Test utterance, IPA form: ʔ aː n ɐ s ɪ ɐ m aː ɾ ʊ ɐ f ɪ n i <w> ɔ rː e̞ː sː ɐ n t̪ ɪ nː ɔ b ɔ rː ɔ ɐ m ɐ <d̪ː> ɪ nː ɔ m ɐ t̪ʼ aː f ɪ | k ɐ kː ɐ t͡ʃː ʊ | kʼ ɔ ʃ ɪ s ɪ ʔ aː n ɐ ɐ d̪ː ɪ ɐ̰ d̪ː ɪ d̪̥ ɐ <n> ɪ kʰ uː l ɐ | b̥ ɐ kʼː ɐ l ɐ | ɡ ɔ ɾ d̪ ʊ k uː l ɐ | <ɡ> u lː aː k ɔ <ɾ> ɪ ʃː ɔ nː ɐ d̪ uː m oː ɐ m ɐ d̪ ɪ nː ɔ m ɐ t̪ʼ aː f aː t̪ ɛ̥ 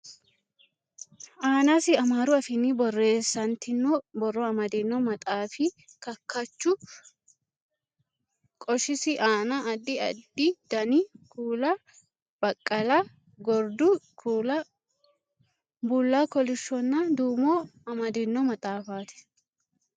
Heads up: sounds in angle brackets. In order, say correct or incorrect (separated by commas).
incorrect, incorrect, correct, incorrect, incorrect